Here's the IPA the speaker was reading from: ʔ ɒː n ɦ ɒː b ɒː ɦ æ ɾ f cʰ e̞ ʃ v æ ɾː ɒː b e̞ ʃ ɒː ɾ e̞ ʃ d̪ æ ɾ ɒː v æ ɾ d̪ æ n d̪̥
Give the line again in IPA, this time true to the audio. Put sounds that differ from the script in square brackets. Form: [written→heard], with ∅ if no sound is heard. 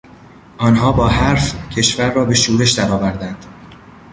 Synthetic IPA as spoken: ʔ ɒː n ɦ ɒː b ɒː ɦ æ ɾ f cʰ e̞ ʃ v æ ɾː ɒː b e̞ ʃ [ɒː→uː] ɾ e̞ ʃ d̪ æ ɾ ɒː v æ ɾ d̪ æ n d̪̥